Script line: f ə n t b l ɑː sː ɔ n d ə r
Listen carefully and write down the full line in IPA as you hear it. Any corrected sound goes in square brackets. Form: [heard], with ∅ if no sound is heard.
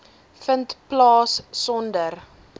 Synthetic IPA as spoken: f ə n t [p] l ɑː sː ɔ n d ə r